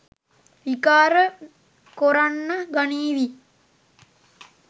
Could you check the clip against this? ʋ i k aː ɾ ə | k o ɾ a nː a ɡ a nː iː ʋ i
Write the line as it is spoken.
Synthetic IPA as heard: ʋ i k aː ɾ ə | k o ɾ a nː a ɡ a n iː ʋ i